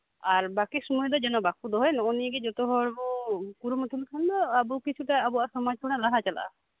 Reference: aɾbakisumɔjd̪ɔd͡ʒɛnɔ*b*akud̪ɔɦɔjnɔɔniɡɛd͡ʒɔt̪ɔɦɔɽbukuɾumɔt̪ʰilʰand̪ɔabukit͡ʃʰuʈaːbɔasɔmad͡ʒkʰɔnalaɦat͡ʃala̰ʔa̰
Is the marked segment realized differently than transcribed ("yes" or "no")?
no